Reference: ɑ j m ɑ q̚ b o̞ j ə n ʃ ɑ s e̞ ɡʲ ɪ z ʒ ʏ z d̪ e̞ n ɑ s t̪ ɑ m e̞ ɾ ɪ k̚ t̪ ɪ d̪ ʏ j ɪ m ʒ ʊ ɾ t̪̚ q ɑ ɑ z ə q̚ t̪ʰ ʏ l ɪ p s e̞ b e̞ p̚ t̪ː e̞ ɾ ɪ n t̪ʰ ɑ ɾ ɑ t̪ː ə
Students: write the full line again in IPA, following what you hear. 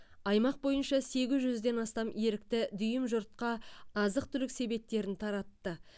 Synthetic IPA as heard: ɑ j m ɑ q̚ b o̞ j ə n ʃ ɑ s e̞ ɡʲ ɪ z ʒ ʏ z d̪ e̞ n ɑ s t̪ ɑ m e̞ ɾ ɪ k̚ t̪ ɪ d̪ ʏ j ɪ m ʒ ʊ ɾ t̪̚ q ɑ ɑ z ə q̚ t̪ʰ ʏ l ɪ k s e̞ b e̞ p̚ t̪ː e̞ ɾ ɪ n t̪ʰ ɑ ɾ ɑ t̪ː ə